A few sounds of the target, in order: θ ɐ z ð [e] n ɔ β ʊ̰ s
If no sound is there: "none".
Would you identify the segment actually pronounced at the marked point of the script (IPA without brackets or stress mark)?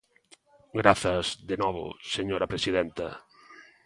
e